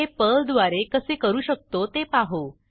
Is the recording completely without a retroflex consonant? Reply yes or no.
yes